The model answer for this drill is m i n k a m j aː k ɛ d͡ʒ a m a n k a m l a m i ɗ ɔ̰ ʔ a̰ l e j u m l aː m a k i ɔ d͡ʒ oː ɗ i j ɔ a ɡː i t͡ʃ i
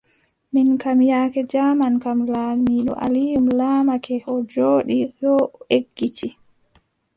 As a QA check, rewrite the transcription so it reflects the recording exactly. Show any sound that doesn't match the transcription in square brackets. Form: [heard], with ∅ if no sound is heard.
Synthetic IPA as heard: m i n k a m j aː k ɛ d͡ʒ a m a n k a m l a m i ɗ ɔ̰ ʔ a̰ l [i] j u m l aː m a k [ɛ] ɔ d͡ʒ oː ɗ i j ɔ [e] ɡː i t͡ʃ i